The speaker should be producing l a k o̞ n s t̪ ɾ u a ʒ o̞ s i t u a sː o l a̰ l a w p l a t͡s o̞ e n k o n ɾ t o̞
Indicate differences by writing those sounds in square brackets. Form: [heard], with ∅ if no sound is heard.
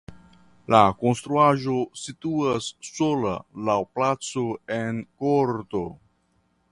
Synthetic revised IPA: l a k o̞ n s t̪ ɾ u a ʒ o̞ s i t u a sː o l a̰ l a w p l a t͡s o̞ e n k o [∅] ɾ t o̞

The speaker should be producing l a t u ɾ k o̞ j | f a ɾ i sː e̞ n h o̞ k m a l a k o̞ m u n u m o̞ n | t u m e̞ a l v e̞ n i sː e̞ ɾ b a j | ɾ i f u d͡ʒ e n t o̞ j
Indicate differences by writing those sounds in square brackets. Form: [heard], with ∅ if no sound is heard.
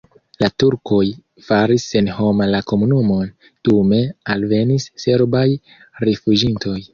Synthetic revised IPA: l a t u ɾ k o̞ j | f a ɾ i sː e̞ n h o̞ [∅] m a l a k o̞ m u n u m o̞ n | t u m e̞ a l v e̞ n i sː e̞ ɾ b a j | ɾ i f u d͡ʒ [i] n t o̞ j

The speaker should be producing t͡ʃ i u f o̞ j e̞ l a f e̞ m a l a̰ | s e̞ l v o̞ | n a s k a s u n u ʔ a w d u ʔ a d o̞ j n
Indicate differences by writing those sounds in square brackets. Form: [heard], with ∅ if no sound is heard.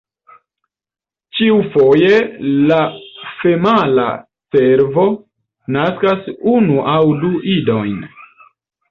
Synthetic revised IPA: t͡ʃ i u f o̞ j e̞ l a f e̞ m a l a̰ | s e̞ [ɾ] v o̞ | n a s k a s u n u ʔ a w d u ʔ [i] d o̞ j n

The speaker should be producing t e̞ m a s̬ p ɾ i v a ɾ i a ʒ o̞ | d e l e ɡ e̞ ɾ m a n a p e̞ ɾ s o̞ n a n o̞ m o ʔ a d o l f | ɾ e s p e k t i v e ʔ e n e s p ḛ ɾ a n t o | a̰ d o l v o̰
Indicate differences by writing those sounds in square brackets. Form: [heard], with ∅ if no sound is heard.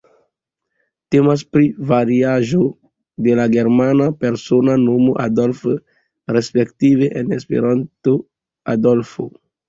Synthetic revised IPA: t e̞ m a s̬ p ɾ i v a ɾ i a ʒ o̞ | d e l [a] ɡ e̞ ɾ m a n a p e̞ ɾ s o̞ n a n o̞ m o ʔ a d o l f | ɾ e s p e k t i v e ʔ e n e s p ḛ ɾ a n t o | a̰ d o l [f] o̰

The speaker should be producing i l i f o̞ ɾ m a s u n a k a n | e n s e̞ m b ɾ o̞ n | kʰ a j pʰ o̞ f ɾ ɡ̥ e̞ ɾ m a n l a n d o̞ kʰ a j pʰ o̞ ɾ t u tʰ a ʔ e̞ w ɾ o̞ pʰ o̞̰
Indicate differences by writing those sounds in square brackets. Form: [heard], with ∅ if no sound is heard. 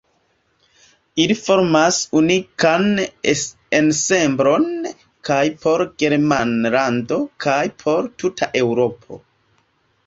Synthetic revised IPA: i l i f o̞ ɾ m a s u n [i] k a n | e n s e̞ m b ɾ o̞ n | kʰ a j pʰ o̞ [∅] ɾ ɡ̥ e̞ ɾ m a n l a n d o̞ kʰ a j pʰ o̞ ɾ t u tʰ a ʔ e̞ w ɾ o̞ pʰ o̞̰

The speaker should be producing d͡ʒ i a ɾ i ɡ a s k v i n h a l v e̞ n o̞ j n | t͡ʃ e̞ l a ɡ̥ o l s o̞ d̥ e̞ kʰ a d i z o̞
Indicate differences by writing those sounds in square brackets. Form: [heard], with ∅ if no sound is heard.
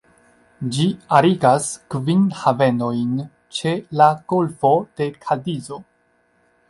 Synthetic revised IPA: d͡ʒ i a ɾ i ɡ a s k v i n h a [∅] v e̞ n o̞ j n | t͡ʃ e̞ l a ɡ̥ o l [f] o̞ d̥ e̞ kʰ a d i z o̞

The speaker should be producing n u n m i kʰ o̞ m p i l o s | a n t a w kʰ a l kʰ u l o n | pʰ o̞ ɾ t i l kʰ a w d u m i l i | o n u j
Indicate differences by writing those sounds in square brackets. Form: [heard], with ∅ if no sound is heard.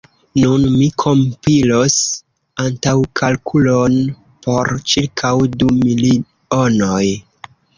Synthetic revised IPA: n u n m i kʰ o̞ m p i l o s | a n t a w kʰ a l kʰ u l o n | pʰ o̞ ɾ [t͡ʃ] i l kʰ a w d u m i l i | o n [o] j

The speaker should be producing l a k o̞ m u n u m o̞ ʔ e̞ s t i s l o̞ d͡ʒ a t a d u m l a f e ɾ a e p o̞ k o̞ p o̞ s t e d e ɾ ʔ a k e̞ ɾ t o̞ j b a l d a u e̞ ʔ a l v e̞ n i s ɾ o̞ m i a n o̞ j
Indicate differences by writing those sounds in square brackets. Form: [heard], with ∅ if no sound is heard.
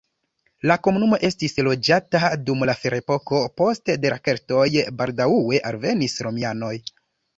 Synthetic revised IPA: l a k o̞ m u n u m o̞ ʔ e̞ s t i s l o̞ d͡ʒ a t a d u m l a f e ɾ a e p o̞ k o̞ p o̞ s t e d e ɾ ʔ a k e̞ ɾ t o̞ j b a l d a u e̞ ʔ a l v e̞ n i s ɾ o̞ m i a n o̞ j

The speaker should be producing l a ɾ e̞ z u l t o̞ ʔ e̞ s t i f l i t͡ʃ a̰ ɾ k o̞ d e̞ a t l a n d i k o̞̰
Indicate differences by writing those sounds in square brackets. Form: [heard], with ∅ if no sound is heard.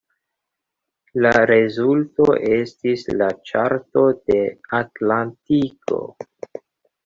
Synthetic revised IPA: l a ɾ e̞ z u l t o̞ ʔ e̞ s t i [s] l [a] t͡ʃ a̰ ɾ [t] o̞ d e̞ a t l a n [t] i k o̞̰

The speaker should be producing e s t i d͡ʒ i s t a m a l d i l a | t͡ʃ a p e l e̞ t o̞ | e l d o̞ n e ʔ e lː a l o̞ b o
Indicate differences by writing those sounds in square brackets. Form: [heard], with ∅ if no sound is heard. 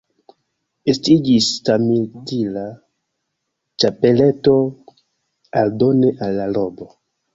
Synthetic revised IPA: e s t i d͡ʒ i s t a m [i] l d i l a | t͡ʃ a p e l e̞ t o̞ | [a] l d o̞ n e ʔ [a] lː a l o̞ b o

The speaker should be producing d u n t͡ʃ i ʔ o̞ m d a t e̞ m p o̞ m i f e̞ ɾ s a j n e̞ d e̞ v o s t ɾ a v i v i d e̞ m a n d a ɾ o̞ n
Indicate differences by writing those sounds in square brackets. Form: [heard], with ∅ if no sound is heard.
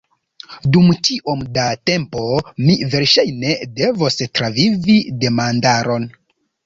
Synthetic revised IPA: d u [m] t͡ʃ i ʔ o̞ m d a t e̞ m p o̞ m i [v] e̞ ɾ [ʃ] a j n e̞ d e̞ v o s t ɾ a v i v i d e̞ m a n d a ɾ o̞ n

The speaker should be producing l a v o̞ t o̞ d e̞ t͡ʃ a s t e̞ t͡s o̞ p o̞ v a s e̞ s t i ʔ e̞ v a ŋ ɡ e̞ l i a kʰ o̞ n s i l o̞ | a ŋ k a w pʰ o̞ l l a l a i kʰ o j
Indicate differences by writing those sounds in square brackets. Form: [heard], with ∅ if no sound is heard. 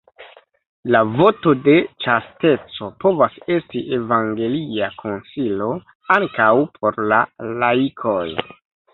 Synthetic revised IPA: l a v o̞ t o̞ d e̞ t͡ʃ a s t e̞ t͡s o̞ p o̞ v a s e̞ s t i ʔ e̞ v a ŋ ɡ e̞ l i a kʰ o̞ n s i l o̞ | a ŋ k a w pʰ o̞ [ɾ] l a l a i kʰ o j

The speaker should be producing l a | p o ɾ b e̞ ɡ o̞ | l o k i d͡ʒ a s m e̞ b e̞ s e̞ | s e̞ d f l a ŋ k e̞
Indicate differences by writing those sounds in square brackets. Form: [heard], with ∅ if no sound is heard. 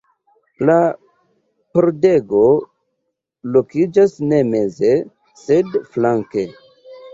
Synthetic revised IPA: l a | p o ɾ [d] e̞ ɡ o̞ | l o k i d͡ʒ a s [n] e̞ [m] e̞ [z] e̞ | s e̞ d f l a ŋ k e̞

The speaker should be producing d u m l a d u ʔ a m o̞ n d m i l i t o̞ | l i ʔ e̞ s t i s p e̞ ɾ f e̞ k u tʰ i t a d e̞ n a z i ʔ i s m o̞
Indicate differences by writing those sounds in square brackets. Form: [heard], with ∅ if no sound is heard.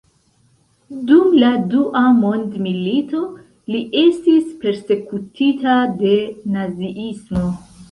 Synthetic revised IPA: d u m l a d u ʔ a m o̞ n d m i l i t o̞ | l i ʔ e̞ s t i s p e̞ ɾ [s] e̞ k u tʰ i t a d e̞ n a z i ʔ i s m o̞

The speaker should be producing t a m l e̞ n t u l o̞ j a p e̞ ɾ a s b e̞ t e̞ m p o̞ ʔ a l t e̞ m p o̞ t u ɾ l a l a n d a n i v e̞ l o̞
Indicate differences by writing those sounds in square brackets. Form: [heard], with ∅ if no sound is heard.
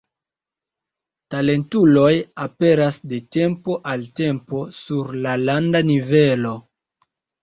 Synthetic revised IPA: t a [∅] l e̞ n t u l o̞ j a p e̞ ɾ a s [d] e̞ t e̞ m p o̞ ʔ a l t e̞ m p o̞ [s] u ɾ l a l a n d a n i v e̞ l o̞

